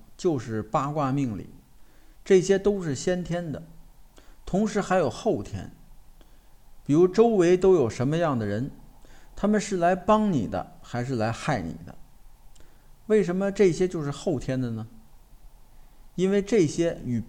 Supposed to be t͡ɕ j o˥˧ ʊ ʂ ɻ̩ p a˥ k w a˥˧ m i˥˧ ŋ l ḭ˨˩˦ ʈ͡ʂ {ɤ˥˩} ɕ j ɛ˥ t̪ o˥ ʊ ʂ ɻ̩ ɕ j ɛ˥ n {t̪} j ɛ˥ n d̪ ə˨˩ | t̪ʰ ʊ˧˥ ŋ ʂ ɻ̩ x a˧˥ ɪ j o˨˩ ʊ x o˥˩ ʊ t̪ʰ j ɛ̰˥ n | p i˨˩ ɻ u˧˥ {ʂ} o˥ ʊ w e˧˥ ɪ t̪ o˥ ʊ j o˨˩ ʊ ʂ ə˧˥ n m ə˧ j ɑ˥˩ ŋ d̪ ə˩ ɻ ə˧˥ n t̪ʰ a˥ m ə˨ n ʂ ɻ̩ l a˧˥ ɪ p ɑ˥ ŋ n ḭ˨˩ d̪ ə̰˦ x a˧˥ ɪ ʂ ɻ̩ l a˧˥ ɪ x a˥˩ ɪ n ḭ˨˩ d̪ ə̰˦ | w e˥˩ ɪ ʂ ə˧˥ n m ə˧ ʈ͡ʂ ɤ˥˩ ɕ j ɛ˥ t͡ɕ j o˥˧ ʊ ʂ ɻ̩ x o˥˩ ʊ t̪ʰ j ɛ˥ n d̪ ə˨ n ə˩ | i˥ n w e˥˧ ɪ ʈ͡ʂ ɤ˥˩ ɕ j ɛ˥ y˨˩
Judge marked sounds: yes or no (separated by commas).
yes, no, no